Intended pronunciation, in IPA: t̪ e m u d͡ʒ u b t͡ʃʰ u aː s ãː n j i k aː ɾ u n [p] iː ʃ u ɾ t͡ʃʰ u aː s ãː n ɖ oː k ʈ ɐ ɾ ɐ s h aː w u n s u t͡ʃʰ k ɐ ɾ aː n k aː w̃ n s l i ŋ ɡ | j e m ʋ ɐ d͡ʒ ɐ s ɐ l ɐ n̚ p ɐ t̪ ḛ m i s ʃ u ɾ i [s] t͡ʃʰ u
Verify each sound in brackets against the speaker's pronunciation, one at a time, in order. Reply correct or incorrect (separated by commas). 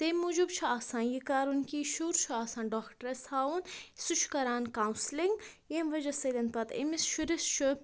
incorrect, correct